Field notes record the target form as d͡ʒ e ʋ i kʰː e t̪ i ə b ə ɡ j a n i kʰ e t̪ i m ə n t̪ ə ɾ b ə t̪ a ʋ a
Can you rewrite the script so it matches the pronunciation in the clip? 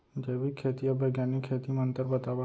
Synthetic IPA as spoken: d͡ʒ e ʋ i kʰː e t̪ i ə b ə ɡ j a n i kʰ e t̪ i m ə n t̪ ə ɾ b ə t̪ a ʋ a